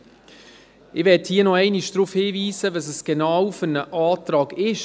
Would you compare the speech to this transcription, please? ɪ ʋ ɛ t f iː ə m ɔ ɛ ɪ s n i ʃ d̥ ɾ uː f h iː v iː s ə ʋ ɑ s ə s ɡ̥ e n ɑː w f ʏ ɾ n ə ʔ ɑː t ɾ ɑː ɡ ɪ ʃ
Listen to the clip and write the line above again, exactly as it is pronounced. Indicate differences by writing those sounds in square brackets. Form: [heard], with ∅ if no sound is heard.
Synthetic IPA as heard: ɪ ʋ ɛ t [h] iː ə [n] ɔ ɛ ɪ [∅] n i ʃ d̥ ɾ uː f h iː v iː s ə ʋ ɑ s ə s ɡ̥ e n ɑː w f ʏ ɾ n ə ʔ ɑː t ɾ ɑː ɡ ɪ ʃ